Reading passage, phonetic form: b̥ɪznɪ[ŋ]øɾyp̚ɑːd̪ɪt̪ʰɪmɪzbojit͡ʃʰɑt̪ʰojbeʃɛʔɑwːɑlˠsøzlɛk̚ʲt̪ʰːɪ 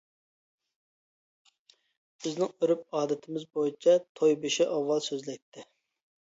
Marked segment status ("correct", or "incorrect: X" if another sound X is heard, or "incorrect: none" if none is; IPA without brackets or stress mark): correct